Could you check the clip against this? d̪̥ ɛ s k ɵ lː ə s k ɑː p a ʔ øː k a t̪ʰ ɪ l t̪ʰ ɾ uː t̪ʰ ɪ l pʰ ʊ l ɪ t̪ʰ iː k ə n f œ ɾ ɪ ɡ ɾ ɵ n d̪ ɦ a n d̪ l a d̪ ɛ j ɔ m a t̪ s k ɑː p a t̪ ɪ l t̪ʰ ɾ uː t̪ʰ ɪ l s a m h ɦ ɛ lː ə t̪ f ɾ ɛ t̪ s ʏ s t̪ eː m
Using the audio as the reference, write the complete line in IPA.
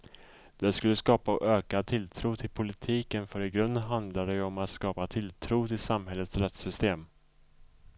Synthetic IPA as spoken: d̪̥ ɛ s k ɵ lː ə s k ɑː p a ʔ øː k a t̪ʰ ɪ l t̪ʰ ɾ uː t̪ʰ ɪ l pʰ ʊ l ɪ t̪ʰ iː k ə n f œ ɾ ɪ ɡ ɾ ɵ n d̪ ɦ a n d̪ l a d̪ ɛ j ɔ m a t̪ s k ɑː p a t̪ʰ ɪ l t̪ʰ ɾ uː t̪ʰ ɪ l s a m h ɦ ɛ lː ə t̪ s ɾ ɛ t̪ s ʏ s t̪ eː m